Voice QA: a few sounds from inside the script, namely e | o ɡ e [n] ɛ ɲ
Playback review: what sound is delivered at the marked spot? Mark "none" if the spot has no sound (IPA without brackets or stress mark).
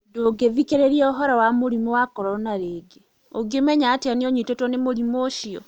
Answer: m